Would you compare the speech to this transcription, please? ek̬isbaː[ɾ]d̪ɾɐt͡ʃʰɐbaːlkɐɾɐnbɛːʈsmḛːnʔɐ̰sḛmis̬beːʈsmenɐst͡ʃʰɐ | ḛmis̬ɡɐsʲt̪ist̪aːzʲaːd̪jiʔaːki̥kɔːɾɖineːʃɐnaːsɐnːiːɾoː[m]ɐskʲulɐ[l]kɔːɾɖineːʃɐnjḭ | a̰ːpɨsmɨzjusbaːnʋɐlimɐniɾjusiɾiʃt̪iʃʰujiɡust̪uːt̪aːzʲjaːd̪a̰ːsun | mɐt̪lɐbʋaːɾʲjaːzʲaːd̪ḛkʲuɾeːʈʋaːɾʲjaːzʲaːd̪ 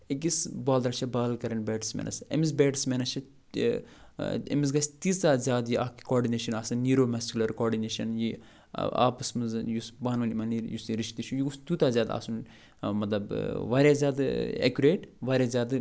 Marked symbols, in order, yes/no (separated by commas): no, yes, no